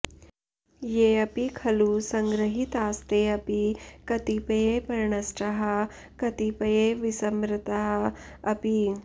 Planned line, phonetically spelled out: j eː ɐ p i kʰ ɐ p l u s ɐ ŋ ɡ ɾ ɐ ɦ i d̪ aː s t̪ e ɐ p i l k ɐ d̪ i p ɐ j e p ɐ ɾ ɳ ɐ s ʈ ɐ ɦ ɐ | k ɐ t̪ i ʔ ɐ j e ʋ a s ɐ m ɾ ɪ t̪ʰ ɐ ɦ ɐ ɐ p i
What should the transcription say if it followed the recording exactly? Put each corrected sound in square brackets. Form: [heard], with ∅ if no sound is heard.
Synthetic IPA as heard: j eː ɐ p i kʰ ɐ [∅] l u s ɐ ŋ ɡ ɾ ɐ ɦ i [t̪] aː s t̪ e ɐ p i [∅] k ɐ [t̪] i p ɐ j e p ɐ ɾ ɳ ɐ s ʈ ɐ ɦ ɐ | k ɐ t̪ i [p] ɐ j e ʋ [i] s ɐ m ɾ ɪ [t̪] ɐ ɦ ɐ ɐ p i